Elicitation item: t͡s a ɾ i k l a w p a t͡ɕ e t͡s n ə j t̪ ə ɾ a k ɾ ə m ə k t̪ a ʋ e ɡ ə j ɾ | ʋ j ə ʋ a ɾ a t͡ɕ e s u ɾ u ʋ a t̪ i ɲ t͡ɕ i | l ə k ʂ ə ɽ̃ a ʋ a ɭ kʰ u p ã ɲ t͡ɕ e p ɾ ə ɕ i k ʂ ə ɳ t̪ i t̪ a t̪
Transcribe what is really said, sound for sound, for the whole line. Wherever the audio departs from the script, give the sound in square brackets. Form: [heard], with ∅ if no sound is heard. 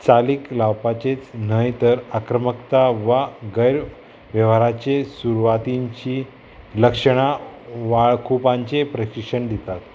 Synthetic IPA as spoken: t͡s a [l] i k l a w p a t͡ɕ e t͡s n ə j t̪ ə ɾ a k ɾ ə m ə k t̪ a ʋ [a] ɡ ə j ɾ | ʋ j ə ʋ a ɾ a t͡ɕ e s u ɾ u ʋ a t̪ i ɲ t͡ɕ i | l ə k ʂ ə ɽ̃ a ʋ a ɭ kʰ u p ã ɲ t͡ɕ e p ɾ ə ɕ i k ʂ ə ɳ [d̪] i t̪ a t̪